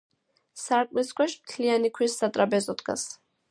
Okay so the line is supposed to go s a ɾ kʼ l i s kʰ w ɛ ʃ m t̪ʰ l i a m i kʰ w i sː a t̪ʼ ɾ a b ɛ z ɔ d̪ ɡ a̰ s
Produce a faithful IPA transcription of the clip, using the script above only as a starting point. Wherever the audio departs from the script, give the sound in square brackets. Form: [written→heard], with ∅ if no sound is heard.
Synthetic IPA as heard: s a ɾ kʼ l i s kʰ w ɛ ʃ m t̪ʰ l i a [m→n] i kʰ w i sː a t̪ʼ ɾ a b ɛ z ɔ d̪ ɡ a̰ s